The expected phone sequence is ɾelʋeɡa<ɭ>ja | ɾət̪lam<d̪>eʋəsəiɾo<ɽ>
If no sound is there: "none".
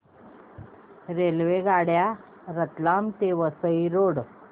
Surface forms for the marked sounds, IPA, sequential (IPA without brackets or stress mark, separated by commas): ɽ, t̪, ɽ